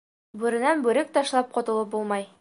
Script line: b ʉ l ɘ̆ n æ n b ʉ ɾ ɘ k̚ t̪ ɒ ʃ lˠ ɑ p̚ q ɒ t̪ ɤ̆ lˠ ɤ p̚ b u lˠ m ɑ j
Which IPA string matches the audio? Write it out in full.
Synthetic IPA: b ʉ ɾ ɘ̆ n æ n b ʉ ɾ ɘ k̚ t̪ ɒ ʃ lˠ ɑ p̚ q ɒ t̪ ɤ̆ lˠ ɤ p̚ b u lˠ m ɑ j